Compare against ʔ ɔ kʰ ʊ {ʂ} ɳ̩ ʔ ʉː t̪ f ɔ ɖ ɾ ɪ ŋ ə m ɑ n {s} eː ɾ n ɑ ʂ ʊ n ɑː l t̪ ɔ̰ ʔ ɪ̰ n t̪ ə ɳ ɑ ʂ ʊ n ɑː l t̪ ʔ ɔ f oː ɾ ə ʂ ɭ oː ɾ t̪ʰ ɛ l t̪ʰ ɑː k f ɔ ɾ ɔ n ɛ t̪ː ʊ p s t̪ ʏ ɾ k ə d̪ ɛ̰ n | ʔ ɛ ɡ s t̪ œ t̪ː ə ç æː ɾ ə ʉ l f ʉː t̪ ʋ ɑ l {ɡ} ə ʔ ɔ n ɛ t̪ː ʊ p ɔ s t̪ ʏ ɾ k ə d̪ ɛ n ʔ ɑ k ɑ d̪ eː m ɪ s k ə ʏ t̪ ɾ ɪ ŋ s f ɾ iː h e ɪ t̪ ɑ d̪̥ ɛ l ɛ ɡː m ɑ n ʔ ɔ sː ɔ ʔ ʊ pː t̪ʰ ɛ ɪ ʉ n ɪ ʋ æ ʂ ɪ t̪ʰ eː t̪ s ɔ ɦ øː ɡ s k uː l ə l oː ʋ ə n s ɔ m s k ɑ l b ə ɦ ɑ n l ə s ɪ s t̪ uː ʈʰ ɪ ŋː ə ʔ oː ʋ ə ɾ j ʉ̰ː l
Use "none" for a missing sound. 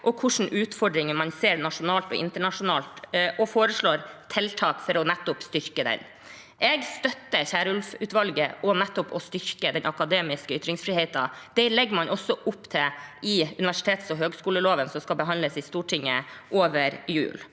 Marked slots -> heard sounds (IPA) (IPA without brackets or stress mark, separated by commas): ʂ, s, ɡ